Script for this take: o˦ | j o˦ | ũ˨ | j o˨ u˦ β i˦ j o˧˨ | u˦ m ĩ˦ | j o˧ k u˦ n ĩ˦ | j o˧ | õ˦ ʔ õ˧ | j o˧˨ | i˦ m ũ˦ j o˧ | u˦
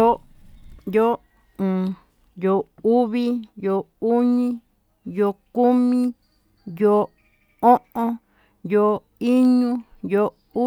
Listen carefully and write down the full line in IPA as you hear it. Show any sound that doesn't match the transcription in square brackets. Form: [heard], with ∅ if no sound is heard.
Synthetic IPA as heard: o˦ | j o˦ | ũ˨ | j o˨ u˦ β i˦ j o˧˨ | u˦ [ɲ] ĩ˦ | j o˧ k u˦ [m] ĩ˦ | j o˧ | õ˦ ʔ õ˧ | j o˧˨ | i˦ [ɲ] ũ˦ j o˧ | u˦